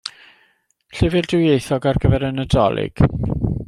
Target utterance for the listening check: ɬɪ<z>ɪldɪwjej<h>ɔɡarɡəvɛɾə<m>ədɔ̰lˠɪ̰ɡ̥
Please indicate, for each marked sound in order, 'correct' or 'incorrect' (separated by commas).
incorrect, incorrect, incorrect